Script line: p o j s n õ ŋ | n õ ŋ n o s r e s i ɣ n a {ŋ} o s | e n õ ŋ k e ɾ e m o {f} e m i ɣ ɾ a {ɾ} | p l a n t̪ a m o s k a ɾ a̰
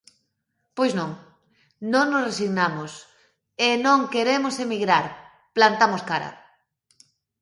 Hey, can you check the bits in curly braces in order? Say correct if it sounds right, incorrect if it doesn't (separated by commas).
incorrect, incorrect, correct